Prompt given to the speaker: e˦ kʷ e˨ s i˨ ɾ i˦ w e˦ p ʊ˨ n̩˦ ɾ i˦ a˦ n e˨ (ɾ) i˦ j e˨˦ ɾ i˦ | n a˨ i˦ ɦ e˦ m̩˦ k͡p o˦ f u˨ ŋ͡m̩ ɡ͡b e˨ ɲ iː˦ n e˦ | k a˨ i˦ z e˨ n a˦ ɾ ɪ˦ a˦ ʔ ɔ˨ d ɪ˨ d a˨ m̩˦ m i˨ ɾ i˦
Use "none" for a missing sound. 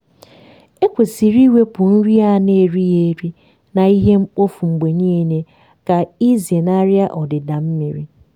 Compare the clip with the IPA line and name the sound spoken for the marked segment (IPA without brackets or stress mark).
ɾ